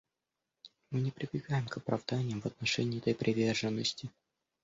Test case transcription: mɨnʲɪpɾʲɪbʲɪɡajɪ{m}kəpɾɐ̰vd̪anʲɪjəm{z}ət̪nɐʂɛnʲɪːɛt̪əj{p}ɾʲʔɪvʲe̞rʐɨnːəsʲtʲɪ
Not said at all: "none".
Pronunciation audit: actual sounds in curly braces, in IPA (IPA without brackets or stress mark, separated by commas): m, v, p